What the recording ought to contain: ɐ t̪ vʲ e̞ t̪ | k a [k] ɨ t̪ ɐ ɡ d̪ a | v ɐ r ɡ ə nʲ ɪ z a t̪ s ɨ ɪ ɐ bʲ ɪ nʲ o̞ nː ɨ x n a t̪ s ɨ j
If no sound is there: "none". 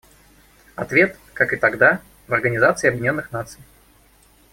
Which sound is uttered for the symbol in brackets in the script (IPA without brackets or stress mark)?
k